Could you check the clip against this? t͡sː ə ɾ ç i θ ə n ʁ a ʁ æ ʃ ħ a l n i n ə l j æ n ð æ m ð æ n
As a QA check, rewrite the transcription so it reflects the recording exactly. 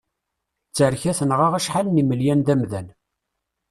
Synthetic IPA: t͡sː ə ɾ ç æ θ ə n ʁ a ʁ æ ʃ ħ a l n i m ə l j æ n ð æ m ð æ n

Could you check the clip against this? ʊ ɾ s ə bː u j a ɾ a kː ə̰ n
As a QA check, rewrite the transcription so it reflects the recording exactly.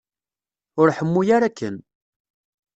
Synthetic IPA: ʊ ɾ ħ ə mː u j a ɾ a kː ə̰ n

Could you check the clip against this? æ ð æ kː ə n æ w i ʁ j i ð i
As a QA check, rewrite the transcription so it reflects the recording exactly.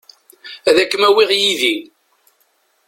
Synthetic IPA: æ ð æ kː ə m æ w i ʁ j i ð i

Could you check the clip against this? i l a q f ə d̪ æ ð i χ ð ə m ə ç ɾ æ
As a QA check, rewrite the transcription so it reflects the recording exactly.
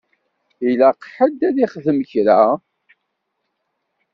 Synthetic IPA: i l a q ħ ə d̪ æ ð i χ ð ə m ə ç ɾ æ

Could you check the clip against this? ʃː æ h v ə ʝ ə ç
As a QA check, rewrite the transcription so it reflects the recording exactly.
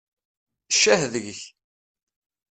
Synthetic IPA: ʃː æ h ð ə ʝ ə ç

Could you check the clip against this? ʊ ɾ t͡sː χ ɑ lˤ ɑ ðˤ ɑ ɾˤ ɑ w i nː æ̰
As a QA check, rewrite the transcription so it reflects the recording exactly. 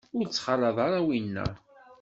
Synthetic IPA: ʊ ɾ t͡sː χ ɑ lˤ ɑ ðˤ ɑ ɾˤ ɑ w i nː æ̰

